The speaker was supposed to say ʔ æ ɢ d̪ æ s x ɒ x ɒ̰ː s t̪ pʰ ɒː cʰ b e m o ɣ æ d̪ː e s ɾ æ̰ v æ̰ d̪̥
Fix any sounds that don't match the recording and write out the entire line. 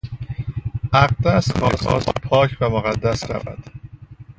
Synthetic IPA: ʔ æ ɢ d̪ æ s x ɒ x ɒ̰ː s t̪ pʰ ɒː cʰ b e m o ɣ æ d̪ː æ s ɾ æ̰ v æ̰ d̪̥

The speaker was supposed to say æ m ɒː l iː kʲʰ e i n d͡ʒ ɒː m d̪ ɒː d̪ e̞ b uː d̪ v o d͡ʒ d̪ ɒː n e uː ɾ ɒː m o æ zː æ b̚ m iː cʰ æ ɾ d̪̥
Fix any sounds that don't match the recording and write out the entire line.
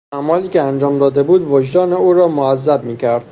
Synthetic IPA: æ m ɒː l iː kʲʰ e æ n d͡ʒ ɒː m d̪ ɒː d̪ e̞ b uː d̪ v o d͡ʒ d̪ ɒː n e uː ɾ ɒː m o æ zː æ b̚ m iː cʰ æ ɾ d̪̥

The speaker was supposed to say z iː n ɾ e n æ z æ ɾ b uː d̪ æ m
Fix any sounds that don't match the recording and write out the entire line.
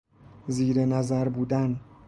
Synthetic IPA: z iː ɾ e n æ z æ ɾ b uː d̪ æ n

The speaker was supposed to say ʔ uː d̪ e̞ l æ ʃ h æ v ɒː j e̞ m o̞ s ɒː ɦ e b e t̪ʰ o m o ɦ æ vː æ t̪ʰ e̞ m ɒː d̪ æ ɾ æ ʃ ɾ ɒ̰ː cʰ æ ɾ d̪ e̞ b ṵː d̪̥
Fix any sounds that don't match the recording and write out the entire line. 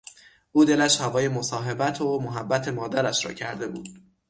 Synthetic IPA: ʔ uː d̪ e̞ l æ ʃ h æ v ɒː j e̞ m o̞ s ɒː ɦ e b æ t̪ʰ o m o ɦ æ bː æ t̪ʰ e̞ m ɒː d̪ æ ɾ æ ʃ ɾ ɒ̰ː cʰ æ ɾ d̪ e̞ b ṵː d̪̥

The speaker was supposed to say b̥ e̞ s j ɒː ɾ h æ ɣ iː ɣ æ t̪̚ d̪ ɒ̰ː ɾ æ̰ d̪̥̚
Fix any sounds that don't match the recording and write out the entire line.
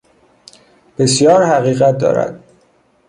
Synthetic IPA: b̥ e̞ s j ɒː ɾ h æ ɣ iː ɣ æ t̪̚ d̪ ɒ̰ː ɾ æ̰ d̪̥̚

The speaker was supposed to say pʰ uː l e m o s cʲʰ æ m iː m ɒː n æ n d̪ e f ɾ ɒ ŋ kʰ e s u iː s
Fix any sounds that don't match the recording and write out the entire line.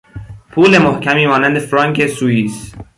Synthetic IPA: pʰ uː l e m o h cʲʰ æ m iː m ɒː n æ n d̪ e f ɾ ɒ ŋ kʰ e s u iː s

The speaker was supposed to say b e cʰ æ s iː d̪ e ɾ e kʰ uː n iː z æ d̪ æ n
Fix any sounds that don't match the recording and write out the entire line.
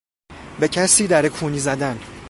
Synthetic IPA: b e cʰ æ s iː d̪ æ ɾ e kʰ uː n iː z æ d̪ æ n

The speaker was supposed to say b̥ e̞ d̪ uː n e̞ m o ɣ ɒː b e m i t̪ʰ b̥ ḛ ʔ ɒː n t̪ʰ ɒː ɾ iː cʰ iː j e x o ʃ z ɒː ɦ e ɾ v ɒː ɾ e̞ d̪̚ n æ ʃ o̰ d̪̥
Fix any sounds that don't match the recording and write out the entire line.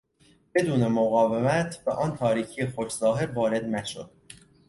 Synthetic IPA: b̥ e̞ d̪ uː n e̞ m o ɣ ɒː v e m æ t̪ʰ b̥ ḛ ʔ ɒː n t̪ʰ ɒː ɾ iː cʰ i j e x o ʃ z ɒː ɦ e ɾ v ɒː ɾ e̞ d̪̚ n æ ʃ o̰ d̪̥

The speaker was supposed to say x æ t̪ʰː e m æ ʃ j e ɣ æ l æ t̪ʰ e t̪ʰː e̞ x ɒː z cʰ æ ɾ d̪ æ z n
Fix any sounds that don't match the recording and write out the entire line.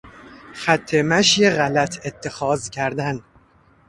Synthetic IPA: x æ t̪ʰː e m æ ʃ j e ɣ æ l æ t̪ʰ e t̪ʰː e̞ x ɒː z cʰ æ ɾ d̪ æ n

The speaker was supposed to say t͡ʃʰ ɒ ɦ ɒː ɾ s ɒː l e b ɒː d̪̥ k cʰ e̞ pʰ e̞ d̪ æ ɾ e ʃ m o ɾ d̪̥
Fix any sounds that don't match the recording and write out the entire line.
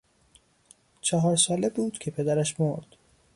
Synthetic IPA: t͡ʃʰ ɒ ɦ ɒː ɾ s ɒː l e b uː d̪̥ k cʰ e̞ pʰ e̞ d̪ æ ɾ æ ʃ m o ɾ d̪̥

